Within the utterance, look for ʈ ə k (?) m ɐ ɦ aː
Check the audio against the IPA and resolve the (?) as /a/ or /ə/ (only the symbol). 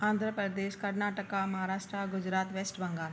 a